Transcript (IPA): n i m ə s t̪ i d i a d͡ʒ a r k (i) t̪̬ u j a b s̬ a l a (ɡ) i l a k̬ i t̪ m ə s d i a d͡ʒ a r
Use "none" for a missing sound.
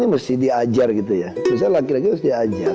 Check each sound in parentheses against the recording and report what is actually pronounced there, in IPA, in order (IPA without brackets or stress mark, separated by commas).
i, k